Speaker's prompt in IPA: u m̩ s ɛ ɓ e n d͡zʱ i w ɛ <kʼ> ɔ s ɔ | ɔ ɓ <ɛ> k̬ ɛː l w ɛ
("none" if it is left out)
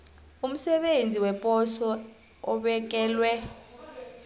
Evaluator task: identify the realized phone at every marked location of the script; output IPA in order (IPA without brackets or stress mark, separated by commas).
pʼ, ɛ